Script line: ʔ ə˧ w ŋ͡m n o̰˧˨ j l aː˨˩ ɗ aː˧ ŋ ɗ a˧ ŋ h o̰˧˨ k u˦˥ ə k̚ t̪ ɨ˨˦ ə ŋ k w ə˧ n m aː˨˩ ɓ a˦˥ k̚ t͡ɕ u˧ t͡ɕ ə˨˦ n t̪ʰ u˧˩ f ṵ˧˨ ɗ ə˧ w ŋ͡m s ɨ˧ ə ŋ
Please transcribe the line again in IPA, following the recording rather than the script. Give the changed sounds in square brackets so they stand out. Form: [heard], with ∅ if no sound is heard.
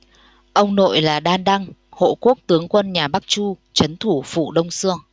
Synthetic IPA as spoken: ʔ ə˧ w ŋ͡m n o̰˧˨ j l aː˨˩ ɗ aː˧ [n] ɗ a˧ ŋ h o̰˧˨ k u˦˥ ə k̚ t̪ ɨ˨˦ ə ŋ k w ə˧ n [ɲ] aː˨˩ ɓ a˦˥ k̚ t͡ɕ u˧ t͡ɕ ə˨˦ n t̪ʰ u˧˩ f ṵ˧˨ ɗ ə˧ w ŋ͡m s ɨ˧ ə ŋ